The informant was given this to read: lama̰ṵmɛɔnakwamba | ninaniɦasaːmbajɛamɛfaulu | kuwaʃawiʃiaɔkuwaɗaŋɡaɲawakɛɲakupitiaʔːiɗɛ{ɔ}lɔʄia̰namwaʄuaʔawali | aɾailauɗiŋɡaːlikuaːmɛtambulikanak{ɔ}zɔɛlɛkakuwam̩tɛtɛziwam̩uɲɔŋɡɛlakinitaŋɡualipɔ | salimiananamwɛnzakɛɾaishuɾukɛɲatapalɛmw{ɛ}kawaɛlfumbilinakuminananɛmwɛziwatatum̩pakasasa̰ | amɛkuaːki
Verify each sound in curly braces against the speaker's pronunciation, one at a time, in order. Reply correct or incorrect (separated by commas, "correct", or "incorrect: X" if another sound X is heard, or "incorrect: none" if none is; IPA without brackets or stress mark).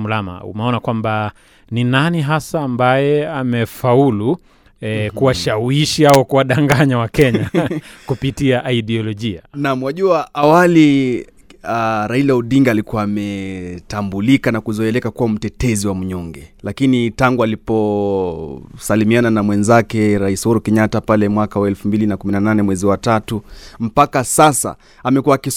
correct, incorrect: u, incorrect: a